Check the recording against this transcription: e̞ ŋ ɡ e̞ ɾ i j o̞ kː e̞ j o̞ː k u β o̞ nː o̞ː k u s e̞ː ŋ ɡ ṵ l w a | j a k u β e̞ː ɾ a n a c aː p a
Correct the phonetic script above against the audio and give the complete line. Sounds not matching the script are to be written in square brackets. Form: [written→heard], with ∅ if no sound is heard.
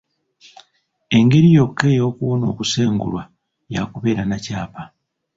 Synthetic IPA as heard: e̞ ŋ ɡ e̞ ɾ i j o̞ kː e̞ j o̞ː k u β o̞ [nː→n] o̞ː k u s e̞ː ŋ ɡ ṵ l w a | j a k u β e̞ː ɾ a n a c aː p a